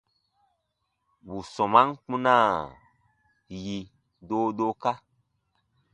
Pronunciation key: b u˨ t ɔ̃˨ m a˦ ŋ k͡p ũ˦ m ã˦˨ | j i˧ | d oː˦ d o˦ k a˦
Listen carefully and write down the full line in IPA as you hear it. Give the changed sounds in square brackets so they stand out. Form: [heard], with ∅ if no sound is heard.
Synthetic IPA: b u˨ [s] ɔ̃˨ m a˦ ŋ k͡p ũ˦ [n] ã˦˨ | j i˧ | d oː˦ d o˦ k a˦